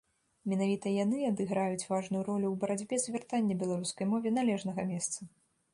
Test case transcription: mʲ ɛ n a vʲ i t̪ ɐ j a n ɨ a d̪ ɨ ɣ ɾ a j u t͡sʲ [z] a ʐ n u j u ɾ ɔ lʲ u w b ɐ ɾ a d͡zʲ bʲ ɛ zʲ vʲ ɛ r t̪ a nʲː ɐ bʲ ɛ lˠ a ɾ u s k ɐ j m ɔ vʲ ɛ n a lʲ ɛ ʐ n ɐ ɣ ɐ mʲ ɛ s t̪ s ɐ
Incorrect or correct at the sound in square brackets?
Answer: incorrect: v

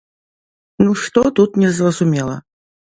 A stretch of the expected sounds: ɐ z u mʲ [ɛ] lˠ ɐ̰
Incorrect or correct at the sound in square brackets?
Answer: correct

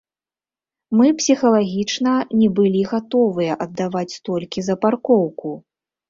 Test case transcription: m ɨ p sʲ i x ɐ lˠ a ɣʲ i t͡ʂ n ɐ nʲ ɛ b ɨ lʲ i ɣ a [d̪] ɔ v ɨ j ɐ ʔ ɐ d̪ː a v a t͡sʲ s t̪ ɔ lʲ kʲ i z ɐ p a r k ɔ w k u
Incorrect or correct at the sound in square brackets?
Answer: incorrect: t̪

